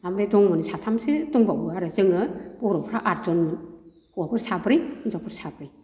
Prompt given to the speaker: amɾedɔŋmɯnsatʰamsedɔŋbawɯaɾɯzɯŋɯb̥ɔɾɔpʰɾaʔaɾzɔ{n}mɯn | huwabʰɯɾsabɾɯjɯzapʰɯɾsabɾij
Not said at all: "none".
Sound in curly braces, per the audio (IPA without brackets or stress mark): n